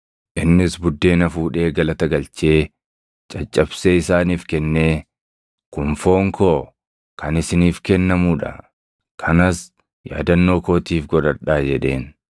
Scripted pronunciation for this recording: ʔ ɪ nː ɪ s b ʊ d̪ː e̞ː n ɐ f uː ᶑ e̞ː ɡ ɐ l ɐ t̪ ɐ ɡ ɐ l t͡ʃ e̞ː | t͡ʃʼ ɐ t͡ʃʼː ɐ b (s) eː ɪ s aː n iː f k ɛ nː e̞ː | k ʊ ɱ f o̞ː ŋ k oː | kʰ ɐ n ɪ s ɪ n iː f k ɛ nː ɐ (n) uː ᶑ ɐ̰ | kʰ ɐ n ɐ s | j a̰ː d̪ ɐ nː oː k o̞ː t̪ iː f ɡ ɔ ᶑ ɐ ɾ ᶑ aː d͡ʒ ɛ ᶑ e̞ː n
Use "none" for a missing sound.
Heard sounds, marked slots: s, m

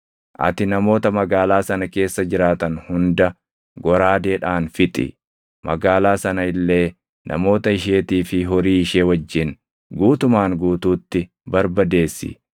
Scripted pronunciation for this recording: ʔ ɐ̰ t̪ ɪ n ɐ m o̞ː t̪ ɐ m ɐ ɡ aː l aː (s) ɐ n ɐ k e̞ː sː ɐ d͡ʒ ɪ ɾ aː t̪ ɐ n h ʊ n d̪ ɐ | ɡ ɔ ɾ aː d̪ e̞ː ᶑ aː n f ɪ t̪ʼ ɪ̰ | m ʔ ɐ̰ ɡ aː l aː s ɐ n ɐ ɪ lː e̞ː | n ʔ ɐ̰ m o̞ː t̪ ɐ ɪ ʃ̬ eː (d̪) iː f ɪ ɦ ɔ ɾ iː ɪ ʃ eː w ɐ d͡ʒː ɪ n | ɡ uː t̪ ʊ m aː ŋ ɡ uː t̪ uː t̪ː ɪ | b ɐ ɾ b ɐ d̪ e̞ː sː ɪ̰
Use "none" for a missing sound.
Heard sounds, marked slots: s, t̪

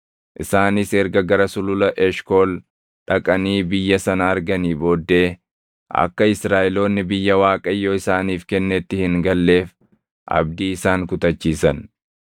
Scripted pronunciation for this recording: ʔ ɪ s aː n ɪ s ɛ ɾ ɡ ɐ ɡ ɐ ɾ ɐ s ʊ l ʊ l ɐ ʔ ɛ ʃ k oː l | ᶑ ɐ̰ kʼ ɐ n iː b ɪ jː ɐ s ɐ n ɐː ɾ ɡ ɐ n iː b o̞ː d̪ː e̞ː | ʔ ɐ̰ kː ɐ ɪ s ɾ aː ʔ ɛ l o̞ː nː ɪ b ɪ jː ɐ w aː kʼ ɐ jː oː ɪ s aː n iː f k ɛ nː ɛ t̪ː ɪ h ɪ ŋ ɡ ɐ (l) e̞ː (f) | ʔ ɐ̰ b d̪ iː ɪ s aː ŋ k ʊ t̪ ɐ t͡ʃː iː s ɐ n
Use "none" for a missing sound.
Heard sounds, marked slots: lː, f

